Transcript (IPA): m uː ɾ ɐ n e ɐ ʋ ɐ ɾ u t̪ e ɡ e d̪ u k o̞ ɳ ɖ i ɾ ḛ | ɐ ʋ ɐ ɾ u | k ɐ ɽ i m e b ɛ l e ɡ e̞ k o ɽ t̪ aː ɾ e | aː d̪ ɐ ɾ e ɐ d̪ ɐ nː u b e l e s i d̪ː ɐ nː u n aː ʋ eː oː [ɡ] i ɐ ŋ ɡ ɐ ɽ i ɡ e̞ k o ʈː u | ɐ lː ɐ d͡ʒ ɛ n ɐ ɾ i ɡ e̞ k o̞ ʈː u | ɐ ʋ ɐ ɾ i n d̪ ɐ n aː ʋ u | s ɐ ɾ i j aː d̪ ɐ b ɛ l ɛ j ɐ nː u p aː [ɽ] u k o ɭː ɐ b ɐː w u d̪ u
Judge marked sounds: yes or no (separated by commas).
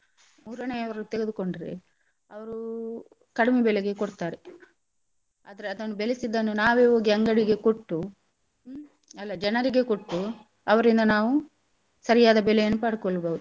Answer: yes, yes